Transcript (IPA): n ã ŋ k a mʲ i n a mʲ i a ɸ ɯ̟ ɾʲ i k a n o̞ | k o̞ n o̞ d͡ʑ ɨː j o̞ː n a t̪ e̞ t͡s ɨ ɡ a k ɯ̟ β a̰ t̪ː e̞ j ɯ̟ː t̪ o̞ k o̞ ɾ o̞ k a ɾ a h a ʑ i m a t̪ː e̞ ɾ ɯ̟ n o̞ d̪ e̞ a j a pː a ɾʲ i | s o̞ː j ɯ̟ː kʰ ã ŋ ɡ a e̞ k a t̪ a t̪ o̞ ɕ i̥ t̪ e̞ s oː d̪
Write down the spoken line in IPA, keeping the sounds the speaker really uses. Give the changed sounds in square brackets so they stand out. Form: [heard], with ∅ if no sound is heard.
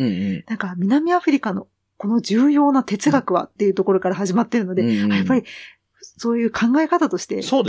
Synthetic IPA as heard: n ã ŋ k a mʲ i n a mʲ i a ɸ ɯ̟ ɾʲ i k a n o̞ | k o̞ n o̞ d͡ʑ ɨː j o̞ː n a t̪ e̞ t͡s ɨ ɡ a k ɯ̟ β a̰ t̪ː e̞ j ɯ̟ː t̪ o̞ k o̞ ɾ o̞ k a ɾ a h a ʑ i m a t̪ː e̞ ɾ ɯ̟ n o̞ d̪ e̞ a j a pː a ɾʲ i | s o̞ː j ɯ̟ː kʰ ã ŋ ɡ a e̞ k a t̪ a t̪ o̞ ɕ i̥ t̪ e̞ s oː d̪